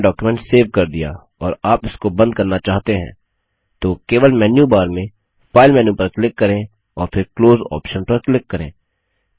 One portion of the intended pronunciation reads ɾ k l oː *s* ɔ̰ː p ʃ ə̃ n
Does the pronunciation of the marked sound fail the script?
yes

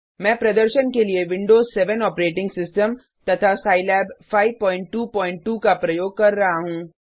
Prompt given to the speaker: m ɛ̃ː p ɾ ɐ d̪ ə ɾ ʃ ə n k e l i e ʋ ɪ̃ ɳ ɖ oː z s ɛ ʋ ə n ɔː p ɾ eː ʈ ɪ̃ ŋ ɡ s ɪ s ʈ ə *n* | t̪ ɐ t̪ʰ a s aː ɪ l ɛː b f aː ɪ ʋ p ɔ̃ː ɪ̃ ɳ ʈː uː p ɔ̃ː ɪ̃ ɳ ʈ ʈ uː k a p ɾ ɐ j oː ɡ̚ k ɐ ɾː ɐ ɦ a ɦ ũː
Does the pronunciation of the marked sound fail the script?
yes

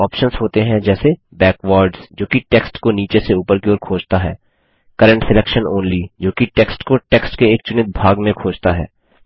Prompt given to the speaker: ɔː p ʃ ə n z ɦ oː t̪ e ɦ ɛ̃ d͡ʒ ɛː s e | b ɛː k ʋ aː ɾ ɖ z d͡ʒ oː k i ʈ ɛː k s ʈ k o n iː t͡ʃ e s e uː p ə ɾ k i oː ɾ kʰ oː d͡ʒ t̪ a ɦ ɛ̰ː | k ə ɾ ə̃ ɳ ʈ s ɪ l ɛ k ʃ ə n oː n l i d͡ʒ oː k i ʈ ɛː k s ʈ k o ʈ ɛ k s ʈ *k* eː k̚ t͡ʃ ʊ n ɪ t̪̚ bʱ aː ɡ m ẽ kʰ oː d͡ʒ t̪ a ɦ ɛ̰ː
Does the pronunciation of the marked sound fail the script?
no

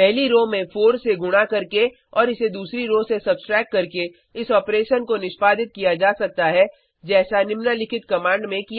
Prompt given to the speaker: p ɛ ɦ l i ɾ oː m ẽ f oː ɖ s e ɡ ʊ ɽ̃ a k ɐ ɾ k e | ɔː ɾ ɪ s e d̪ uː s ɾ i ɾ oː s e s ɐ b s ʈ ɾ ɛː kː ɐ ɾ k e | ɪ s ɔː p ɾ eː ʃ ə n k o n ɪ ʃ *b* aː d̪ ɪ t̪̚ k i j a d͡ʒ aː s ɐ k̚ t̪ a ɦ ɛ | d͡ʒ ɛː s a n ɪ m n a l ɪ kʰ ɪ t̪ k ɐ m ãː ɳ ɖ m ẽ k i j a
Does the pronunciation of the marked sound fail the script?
yes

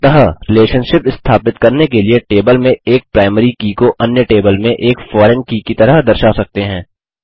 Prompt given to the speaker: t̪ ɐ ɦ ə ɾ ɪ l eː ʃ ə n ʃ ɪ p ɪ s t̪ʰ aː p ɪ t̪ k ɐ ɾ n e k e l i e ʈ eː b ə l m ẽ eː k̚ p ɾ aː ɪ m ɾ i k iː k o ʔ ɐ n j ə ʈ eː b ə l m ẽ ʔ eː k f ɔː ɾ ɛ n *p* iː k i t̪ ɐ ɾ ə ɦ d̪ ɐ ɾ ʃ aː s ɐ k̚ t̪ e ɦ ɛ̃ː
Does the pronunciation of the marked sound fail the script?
yes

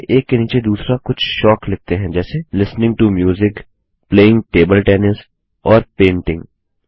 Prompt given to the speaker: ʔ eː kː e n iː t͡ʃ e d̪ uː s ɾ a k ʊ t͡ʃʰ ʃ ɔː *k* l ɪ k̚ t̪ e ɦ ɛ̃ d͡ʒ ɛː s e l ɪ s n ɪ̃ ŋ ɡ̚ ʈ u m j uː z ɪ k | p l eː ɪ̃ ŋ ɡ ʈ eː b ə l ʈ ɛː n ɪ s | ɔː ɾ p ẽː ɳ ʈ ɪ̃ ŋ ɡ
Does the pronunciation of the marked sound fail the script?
no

